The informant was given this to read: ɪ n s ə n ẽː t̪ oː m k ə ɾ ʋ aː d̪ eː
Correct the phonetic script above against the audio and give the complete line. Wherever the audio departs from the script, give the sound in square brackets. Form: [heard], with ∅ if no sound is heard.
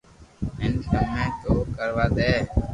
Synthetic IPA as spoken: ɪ n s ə [m] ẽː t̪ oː [∅] k ə ɾ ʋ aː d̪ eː